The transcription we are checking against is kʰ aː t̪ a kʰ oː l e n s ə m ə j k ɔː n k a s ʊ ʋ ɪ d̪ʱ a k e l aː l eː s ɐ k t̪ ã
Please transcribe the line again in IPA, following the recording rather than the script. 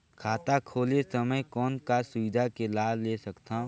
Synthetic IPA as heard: kʰ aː t̪ a kʰ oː l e s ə m ə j k ɔː n k a s ʊ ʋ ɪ d̪ʱ a k e l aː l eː s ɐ k t̪ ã